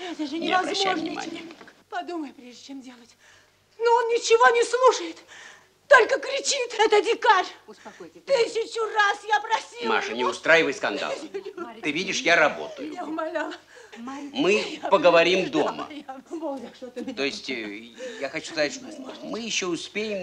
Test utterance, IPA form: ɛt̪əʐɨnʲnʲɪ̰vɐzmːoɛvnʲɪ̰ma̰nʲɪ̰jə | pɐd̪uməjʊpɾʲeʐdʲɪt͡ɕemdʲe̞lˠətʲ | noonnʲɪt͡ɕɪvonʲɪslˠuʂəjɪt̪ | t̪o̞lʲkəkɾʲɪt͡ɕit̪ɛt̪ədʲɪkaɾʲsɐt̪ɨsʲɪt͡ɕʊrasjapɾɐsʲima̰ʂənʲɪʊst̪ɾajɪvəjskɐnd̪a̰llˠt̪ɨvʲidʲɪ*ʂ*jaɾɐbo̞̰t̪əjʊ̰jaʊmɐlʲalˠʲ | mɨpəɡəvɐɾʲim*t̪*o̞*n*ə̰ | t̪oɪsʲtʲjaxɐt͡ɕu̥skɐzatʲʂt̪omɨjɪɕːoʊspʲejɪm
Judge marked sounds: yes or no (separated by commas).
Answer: yes, no, no